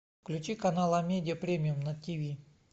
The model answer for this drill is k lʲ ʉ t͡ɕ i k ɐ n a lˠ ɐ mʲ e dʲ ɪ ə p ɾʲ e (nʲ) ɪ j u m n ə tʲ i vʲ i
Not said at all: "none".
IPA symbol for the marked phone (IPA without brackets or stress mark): mʲ